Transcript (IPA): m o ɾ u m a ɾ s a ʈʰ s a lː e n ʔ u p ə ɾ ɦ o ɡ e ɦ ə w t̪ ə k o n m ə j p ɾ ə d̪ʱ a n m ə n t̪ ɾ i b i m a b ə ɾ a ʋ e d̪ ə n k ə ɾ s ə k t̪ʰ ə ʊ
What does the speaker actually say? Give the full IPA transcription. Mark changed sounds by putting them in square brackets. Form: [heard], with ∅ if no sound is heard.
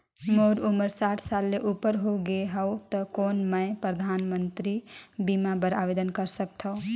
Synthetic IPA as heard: m o ɾ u m [ə] ɾ s a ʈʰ s a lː e [∅] ʔ u p ə ɾ ɦ o ɡ e ɦ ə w t̪ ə k o n m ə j p ɾ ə d̪ʱ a n m ə n t̪ ɾ i b i m a b ə ɾ a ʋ e d̪ ə n k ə ɾ s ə k t̪ʰ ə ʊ